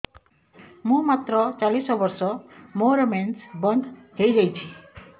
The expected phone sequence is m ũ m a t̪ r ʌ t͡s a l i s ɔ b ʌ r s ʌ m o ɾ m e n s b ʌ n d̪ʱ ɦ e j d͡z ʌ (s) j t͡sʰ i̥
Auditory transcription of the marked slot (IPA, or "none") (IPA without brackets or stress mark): none